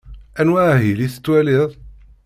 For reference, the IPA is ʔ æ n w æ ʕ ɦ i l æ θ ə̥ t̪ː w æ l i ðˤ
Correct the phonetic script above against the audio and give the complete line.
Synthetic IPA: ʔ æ n w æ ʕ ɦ i l i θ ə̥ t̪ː w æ l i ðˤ